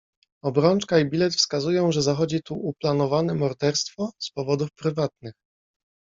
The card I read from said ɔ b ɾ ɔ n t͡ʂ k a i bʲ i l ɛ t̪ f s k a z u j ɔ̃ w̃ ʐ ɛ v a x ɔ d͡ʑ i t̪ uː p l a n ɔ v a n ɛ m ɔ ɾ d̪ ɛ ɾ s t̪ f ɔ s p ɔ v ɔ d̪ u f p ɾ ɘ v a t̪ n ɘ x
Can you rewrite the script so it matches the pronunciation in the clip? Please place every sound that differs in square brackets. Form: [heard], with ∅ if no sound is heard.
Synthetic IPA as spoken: ɔ b ɾ ɔ n t͡ʂ k a i bʲ i l ɛ t̪ f s k a z u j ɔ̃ w̃ ʐ ɛ [z] a x ɔ d͡ʑ i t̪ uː p l a n ɔ v a n ɛ m ɔ ɾ d̪ ɛ ɾ s t̪ f ɔ s p ɔ v ɔ d̪ u f p ɾ ɘ v a t̪ n ɘ x